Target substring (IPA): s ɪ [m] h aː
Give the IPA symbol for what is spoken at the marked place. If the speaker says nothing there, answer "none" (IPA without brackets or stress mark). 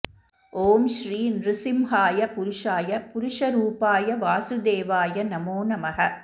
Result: m